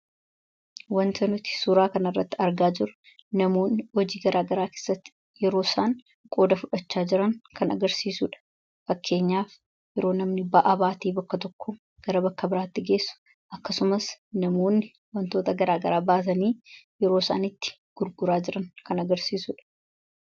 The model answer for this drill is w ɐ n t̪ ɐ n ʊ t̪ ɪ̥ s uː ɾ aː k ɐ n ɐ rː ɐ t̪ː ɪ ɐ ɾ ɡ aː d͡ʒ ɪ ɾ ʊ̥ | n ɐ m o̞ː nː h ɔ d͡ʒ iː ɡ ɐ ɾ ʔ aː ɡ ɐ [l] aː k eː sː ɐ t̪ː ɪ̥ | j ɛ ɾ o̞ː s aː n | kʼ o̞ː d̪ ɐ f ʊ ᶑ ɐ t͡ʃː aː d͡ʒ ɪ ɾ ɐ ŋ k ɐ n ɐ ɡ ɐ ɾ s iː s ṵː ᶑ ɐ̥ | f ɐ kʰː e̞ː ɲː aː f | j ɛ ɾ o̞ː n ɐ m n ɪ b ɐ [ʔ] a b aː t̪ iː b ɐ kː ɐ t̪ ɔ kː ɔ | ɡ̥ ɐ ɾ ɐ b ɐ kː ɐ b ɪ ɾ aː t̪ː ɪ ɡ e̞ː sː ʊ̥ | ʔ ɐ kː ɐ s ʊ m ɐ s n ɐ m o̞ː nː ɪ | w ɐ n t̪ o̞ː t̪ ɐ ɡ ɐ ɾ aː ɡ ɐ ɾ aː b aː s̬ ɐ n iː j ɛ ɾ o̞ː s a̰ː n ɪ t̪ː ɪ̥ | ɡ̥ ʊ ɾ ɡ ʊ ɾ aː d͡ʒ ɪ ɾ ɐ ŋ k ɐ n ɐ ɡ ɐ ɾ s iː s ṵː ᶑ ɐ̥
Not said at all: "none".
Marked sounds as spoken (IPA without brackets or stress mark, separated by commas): ɾ, ʔ